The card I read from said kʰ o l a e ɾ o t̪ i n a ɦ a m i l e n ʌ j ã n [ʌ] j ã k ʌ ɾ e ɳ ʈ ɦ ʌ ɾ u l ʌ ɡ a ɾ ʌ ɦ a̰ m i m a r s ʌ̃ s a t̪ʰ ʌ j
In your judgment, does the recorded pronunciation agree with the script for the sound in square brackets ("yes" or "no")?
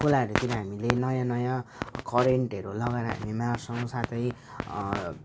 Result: yes